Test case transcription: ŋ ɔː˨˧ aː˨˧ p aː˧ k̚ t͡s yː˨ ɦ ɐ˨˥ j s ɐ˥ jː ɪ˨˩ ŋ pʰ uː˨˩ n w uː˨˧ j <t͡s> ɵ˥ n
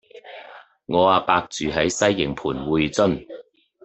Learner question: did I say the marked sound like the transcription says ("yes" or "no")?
yes